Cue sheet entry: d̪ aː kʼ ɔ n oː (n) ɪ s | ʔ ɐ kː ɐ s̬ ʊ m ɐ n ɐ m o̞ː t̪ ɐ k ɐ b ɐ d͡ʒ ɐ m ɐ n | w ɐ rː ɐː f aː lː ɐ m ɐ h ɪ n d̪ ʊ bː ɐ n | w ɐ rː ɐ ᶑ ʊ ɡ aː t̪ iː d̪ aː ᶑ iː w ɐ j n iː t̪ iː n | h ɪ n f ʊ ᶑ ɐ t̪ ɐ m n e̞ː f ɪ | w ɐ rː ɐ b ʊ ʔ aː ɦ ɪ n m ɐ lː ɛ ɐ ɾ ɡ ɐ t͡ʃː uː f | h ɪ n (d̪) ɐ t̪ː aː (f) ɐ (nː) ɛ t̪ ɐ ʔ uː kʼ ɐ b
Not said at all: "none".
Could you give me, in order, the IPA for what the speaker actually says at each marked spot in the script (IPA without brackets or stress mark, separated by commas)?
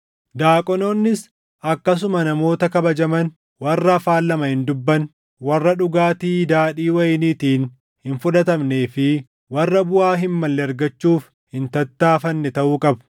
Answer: nː, t̪, f, nː